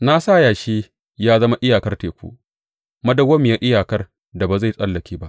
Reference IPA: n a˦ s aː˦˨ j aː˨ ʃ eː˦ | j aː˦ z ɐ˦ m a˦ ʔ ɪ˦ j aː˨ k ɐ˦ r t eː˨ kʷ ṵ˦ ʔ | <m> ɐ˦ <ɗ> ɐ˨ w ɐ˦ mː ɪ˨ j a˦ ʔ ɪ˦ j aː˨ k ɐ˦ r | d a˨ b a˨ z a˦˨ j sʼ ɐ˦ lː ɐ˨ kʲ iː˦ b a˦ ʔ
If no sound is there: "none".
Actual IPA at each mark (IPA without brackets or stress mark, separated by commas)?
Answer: m, d